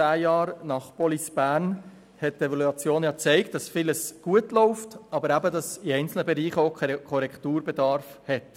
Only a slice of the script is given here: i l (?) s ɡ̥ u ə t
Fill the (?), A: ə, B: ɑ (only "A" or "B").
A